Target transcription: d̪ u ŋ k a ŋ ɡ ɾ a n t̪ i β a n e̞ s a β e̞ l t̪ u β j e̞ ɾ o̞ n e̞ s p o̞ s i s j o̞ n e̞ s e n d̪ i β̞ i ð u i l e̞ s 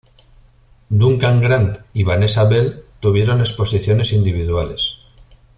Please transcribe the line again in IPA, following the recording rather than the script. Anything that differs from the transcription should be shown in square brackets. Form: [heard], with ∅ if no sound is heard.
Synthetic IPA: d̪ u ŋ k a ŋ ɡ ɾ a n t̪ i β a n e̞ s a β e̞ l t̪ u β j e̞ ɾ o̞ n e̞ s p o̞ s i [θ] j o̞ n e̞ s [i] n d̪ i β̞ i ð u [a] l e̞ s

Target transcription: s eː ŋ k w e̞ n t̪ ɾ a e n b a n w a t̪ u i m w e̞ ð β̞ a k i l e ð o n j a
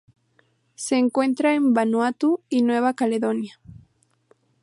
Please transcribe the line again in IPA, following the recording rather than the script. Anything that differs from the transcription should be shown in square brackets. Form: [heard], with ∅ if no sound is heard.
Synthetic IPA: s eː ŋ k w e̞ n t̪ ɾ a e [m] b a n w a t̪ u i [n] w e̞ [∅] β̞ a k [a] l e ð o n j a

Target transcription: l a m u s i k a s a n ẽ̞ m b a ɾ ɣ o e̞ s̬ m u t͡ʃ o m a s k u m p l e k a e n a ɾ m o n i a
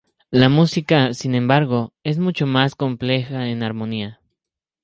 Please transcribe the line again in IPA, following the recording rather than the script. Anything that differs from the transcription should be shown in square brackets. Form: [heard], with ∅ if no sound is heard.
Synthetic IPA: l a m u s i k a s [i] n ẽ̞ m b a ɾ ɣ o e̞ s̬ m u t͡ʃ o m a s k [o] m p l e [x] a e n a ɾ m o n i a

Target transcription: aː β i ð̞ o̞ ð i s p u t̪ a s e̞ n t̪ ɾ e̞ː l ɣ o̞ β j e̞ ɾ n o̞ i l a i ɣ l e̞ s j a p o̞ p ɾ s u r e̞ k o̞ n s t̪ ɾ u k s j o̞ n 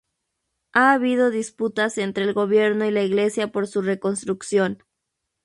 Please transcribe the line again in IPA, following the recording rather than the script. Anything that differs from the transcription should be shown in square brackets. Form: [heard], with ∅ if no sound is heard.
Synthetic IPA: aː β i ð̞ o̞ ð i s p u t̪ a s e̞ n t̪ ɾ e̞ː l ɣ o̞ β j e̞ ɾ n o̞ i l a i ɣ l e̞ s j a p o̞ [∅] ɾ s u r e̞ k o̞ n s t̪ ɾ u k s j o̞ n

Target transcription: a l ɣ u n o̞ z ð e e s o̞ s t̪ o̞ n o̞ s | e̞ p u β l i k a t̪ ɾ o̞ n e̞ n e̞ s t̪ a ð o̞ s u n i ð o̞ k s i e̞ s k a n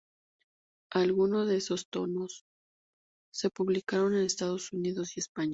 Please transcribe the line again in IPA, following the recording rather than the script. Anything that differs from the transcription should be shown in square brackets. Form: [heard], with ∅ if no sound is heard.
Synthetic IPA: a l ɣ u n o̞ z ð e e s o̞ s t̪ o̞ n o̞ s | e̞ p u β l i k a [∅] ɾ o̞ n e̞ n e̞ s t̪ a ð o̞ s u n i ð o̞ [∅] s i e̞ s [p] a [ɲ]

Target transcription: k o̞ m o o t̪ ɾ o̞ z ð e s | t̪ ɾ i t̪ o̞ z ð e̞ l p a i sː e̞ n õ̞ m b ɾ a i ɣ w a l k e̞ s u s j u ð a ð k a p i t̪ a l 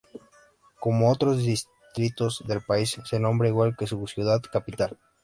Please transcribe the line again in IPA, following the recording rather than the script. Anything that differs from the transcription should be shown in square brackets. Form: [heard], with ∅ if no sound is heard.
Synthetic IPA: k o̞ m o o t̪ ɾ o̞ z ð [i] s | t̪ ɾ i t̪ o̞ z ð e̞ l p a i sː e̞ n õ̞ m b ɾ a i ɣ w a l k e̞ s u s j u ð a ð k a p i t̪ a l

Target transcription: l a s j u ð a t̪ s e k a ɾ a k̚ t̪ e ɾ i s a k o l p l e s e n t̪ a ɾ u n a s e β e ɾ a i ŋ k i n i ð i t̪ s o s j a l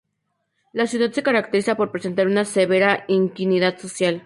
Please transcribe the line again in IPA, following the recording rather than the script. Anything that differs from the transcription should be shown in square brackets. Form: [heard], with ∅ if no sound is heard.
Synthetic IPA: l a s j u ð a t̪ s e k a ɾ a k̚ t̪ e ɾ i s a [p] o [ɾ] p [ɾ] e s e n t̪ a ɾ u n a s e β e ɾ a i ŋ k i n i ð [a] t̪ s o s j a l

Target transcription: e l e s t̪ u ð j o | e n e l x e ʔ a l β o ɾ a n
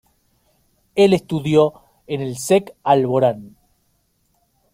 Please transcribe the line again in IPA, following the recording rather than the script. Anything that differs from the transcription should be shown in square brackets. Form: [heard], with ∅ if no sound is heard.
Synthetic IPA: e l e s t̪ u ð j o | e n e l [s] e [k] a l β o ɾ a n

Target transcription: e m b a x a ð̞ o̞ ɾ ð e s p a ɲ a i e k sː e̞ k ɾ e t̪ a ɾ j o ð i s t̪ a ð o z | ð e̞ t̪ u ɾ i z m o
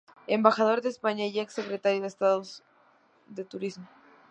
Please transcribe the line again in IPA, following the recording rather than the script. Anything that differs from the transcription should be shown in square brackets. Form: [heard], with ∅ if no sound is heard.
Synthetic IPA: e m b a x a ð̞ o̞ ɾ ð e s p a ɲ a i e k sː e̞ k ɾ e t̪ a ɾ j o ð [e] s t̪ a ð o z | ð e̞ t̪ u ɾ i z m o

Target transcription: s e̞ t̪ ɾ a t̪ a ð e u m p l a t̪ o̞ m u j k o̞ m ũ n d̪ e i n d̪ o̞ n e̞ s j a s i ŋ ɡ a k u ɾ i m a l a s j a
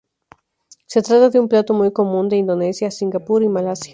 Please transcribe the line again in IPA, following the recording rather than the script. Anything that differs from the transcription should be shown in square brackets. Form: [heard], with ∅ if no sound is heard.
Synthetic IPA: s e̞ t̪ ɾ a t̪ a ð e u m p l a t̪ o̞ m u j k o̞ m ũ n d̪ e i n d̪ o̞ n e̞ s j a s i ŋ ɡ a [p] u ɾ i m a l a s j a

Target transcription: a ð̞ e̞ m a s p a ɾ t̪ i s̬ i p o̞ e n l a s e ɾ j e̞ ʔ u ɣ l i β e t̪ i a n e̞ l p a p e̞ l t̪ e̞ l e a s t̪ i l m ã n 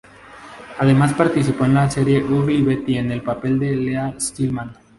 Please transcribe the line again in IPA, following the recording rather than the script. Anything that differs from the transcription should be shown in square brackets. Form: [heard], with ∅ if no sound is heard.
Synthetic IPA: a ð̞ e̞ m a s p a ɾ t̪ i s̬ i p o̞ e n l a s e ɾ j e̞ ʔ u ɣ l i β e t̪ i [e] n e̞ l p a p e̞ l [d̪] e̞ l e a s t̪ i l m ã n

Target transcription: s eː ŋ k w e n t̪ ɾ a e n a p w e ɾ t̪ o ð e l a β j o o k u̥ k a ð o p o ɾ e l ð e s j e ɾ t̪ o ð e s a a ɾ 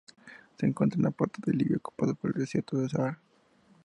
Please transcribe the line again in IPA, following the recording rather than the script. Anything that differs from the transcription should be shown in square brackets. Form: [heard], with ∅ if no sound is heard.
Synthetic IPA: s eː ŋ k w e n t̪ ɾ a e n a p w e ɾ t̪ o ð e l [i] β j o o k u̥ [p] a ð o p o ɾ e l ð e s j e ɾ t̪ o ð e s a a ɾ

